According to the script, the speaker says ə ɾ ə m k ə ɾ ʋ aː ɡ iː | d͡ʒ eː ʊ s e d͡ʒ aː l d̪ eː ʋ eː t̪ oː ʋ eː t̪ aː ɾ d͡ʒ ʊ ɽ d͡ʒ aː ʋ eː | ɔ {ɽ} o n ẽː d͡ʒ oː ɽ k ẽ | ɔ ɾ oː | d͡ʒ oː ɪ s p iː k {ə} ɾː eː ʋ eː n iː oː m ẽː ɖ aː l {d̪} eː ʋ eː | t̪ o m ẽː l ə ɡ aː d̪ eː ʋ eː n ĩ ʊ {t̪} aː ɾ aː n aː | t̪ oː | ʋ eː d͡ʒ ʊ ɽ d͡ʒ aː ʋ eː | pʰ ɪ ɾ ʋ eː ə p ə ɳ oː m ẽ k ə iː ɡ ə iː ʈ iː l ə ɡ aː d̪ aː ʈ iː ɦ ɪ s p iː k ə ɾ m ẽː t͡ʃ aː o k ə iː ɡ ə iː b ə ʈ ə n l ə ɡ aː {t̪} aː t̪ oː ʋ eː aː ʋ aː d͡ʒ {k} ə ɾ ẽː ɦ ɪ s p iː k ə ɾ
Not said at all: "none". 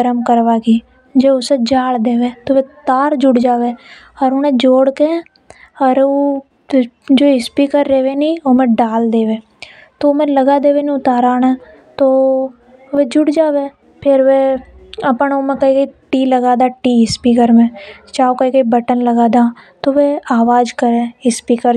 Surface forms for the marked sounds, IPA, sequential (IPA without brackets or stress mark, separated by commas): ɾ, ə, d̪, t̪, d̪, k